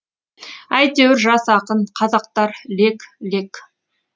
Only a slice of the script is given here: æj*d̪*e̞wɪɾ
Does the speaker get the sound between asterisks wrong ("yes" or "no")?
yes